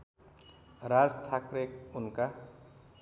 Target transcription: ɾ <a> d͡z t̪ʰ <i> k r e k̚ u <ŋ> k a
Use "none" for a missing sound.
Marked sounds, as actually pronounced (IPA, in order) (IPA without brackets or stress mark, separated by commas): a, a, n